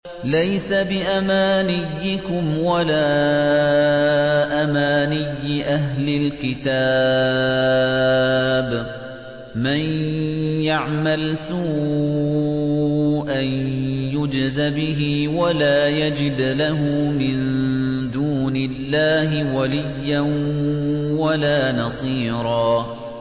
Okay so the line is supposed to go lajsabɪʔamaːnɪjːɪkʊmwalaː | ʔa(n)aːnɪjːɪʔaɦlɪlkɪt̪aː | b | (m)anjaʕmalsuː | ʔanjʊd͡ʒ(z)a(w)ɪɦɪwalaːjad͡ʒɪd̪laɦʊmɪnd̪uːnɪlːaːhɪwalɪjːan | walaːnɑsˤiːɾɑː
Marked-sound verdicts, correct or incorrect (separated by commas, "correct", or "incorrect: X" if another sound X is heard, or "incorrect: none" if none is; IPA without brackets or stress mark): incorrect: m, correct, correct, incorrect: b